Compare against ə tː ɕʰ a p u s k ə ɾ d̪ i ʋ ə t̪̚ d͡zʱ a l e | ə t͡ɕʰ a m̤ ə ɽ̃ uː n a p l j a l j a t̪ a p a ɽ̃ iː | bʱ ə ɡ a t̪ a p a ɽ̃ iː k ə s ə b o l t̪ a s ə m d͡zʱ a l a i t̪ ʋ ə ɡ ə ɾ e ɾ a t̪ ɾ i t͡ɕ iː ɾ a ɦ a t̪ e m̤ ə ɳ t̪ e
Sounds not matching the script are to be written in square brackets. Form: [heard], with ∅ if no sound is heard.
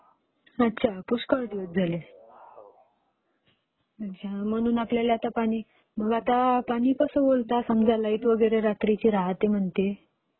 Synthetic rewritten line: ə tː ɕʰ a p u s k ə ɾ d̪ i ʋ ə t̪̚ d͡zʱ a l e | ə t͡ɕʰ a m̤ ə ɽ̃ uː n a p l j a l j a t̪ a p a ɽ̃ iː | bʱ ə ɡ a t̪ a p a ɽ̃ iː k ə s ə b o l t̪ a s ə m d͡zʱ a l a i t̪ ʋ ə ɡ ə ɾ e ɾ a t̪ ɾ i t͡ɕ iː ɾ a ɦ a t̪ e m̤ ə ɳ t̪ e